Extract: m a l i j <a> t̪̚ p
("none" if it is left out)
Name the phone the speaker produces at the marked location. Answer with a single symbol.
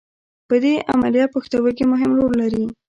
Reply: ɑ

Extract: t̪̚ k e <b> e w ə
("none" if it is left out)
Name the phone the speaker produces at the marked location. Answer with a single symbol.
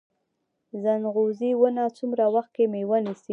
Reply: m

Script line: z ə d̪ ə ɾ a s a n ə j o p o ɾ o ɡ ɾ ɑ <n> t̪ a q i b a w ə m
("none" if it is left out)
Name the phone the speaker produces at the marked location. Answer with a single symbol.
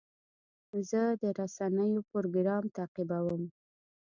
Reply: m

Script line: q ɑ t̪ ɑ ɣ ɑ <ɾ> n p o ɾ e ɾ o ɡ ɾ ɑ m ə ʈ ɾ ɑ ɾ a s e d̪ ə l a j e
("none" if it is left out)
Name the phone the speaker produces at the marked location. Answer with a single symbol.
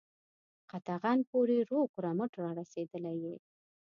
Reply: none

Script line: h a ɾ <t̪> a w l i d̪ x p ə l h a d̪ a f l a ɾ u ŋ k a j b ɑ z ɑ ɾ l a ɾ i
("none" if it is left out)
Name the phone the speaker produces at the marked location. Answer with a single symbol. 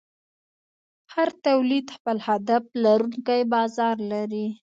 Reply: t̪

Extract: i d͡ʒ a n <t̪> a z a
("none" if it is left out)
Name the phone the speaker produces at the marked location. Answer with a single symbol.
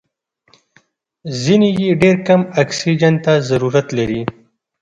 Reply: t̪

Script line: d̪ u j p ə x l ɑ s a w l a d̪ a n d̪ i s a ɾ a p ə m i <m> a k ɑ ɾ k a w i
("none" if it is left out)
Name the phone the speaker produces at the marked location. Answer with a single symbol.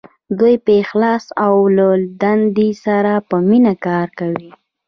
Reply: n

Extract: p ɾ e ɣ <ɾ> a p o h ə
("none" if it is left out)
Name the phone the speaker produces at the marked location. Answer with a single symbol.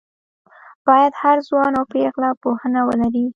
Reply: l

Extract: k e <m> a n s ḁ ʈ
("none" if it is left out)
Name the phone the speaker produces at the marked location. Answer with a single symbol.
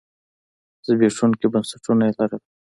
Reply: b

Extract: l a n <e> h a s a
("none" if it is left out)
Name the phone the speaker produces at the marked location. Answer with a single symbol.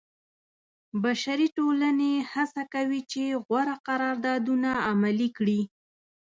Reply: e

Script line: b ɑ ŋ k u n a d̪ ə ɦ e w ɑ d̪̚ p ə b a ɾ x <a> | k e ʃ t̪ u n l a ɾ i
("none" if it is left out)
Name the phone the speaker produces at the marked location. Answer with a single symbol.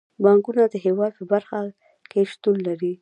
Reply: a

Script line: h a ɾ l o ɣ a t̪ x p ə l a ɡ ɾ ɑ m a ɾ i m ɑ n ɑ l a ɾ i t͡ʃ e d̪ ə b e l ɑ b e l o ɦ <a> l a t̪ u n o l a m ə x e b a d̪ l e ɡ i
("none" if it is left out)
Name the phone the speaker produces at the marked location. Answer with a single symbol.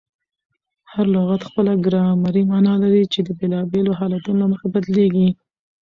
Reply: ɑ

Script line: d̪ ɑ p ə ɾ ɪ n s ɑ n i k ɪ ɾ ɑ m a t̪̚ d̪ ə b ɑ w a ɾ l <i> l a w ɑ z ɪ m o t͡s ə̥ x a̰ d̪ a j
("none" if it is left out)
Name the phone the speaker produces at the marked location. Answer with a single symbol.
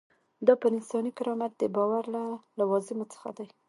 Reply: a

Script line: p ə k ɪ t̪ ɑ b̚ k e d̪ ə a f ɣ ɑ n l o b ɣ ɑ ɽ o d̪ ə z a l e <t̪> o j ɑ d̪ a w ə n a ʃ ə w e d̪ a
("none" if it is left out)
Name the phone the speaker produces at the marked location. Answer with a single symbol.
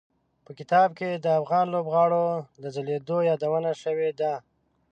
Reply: d̪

